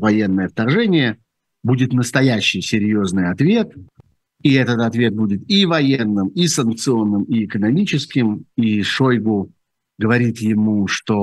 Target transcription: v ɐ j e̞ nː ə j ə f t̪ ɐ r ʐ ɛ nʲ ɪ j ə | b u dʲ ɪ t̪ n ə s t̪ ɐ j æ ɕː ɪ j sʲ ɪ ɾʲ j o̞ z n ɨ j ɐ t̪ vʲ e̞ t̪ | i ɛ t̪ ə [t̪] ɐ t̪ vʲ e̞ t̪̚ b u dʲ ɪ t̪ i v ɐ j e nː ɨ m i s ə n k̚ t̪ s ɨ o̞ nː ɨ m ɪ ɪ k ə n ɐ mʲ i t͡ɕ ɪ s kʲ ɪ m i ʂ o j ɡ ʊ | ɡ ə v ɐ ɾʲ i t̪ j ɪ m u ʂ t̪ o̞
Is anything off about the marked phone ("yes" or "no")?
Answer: no